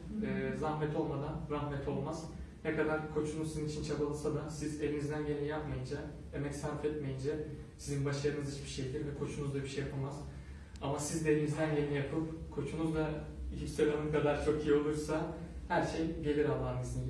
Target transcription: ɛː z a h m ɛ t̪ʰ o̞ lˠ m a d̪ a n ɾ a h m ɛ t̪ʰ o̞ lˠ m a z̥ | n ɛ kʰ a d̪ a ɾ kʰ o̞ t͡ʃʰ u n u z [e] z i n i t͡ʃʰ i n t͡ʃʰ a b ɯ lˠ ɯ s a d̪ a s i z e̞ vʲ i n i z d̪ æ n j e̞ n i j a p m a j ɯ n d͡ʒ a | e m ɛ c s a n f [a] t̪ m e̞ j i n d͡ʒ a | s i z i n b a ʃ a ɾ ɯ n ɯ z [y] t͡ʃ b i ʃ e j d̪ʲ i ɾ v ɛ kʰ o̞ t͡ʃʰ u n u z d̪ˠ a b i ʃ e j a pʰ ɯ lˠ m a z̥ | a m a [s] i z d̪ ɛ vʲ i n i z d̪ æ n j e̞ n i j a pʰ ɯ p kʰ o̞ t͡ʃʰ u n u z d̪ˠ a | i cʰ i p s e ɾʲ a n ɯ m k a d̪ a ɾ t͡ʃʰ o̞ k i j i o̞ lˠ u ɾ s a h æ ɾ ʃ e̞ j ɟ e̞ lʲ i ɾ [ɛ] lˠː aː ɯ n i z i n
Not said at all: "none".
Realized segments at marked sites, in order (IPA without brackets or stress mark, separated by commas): i, ɛ, i, s, a